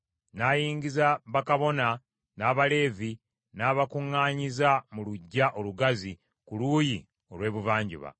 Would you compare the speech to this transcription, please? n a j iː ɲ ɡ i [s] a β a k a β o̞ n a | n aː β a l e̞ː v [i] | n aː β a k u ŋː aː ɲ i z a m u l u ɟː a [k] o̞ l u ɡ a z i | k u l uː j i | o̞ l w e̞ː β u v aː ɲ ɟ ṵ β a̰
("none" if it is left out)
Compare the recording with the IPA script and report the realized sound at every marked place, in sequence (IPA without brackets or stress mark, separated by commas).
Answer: z, i, ʔ